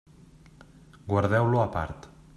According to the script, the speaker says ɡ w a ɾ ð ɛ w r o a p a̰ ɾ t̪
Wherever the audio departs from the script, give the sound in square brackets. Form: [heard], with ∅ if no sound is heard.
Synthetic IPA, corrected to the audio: ɡ w a ɾ ð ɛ w [l] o a p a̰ ɾ t̪